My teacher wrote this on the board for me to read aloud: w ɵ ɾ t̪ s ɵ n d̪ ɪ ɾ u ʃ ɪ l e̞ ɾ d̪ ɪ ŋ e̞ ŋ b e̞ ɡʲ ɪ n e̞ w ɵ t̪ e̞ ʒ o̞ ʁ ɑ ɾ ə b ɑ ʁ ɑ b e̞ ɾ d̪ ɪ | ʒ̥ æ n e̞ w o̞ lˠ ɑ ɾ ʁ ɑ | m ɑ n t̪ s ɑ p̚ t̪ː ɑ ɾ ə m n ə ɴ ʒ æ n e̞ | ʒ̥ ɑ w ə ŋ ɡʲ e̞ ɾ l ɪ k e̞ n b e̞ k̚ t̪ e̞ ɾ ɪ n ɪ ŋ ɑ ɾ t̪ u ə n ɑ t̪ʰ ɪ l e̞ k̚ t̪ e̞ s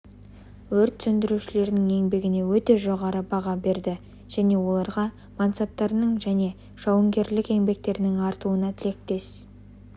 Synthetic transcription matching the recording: w ɵ ɾ t̪ s ɵ n d̪ ɪ ɾ u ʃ ɪ l e̞ ɾ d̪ ɪ ŋ e̞ ŋ b e̞ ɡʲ ɪ n e̞ w ɵ t̪ e̞ ʒ o̞ ʁ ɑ ɾ ə b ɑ ʁ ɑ b e̞ ɾ d̪ ɪ | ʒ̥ æ n e̞ w o̞ lˠ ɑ ɾ ʁ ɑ | m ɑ n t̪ s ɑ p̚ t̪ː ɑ ɾ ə n ə ɴ ʒ æ n e̞ | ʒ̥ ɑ w ə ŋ ɡʲ e̞ ɾ l ɪ k e̞ ŋ b e̞ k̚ t̪ e̞ ɾ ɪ n ɪ ŋ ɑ ɾ t̪ u ə n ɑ t̪ʰ ɪ l e̞ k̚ t̪ e̞ s